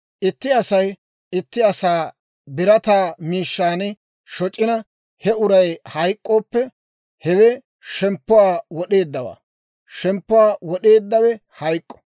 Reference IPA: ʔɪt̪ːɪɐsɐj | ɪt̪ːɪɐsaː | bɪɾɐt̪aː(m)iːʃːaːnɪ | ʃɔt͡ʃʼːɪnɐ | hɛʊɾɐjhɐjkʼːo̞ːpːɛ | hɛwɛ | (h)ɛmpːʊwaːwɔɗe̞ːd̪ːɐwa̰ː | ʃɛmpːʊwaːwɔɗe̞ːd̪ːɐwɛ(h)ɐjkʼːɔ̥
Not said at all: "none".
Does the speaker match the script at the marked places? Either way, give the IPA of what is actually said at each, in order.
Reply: m, ʃ, h

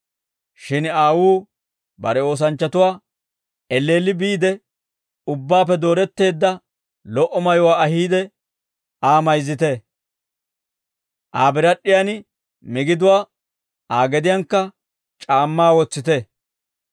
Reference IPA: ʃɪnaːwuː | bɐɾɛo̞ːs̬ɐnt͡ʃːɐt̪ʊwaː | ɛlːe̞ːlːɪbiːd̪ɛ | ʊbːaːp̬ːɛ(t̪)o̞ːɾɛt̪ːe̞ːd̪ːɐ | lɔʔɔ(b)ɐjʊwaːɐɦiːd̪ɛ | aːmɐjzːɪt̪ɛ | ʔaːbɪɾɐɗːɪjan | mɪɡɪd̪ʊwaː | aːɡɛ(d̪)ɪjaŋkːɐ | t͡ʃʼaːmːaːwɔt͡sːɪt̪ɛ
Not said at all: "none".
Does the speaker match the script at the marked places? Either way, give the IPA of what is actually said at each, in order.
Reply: d̪, m, d̪

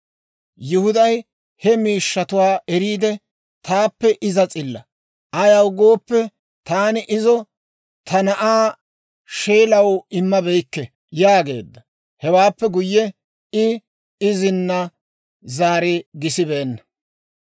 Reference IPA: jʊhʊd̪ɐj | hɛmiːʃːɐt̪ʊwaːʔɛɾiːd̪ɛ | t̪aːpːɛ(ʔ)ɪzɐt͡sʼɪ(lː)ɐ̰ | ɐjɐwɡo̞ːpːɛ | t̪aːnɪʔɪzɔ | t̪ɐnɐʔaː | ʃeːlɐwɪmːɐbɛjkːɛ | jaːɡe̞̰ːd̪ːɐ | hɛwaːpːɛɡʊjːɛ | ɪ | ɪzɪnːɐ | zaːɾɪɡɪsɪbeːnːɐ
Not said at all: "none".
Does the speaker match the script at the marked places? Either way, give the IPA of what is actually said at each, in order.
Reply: ʔ, lː

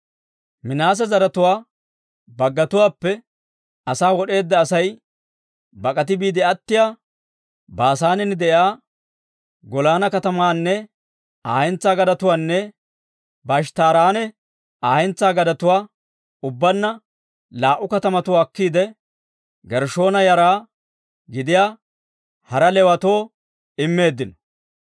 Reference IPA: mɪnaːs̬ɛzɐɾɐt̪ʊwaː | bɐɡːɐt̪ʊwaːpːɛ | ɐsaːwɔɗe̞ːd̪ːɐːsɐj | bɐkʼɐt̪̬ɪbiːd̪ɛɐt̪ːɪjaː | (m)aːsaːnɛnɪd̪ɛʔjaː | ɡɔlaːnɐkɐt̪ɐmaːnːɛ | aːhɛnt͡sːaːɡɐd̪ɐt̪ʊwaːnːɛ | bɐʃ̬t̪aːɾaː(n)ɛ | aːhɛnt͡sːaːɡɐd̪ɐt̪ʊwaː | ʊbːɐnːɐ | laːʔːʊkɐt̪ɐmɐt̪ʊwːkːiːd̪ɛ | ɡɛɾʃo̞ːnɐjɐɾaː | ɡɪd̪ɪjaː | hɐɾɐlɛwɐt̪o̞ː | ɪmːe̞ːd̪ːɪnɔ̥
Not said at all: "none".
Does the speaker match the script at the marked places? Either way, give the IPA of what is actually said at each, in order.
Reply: b, n

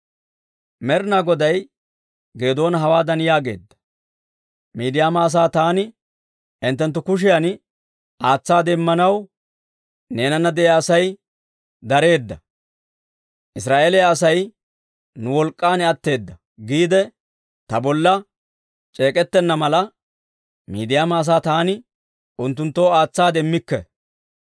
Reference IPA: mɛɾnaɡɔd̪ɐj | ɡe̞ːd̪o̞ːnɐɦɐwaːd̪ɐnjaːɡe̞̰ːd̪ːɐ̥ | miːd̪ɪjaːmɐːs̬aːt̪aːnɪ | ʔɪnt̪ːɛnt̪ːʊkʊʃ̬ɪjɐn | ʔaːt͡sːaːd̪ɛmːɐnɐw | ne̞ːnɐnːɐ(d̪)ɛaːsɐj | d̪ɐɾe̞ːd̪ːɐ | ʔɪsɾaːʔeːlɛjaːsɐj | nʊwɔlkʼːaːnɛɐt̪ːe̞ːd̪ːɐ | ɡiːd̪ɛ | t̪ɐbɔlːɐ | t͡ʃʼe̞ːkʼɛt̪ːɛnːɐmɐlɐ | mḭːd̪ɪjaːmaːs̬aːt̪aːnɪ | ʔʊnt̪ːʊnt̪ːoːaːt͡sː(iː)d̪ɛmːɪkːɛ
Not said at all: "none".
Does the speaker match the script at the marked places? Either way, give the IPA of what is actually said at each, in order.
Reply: d̪, aː

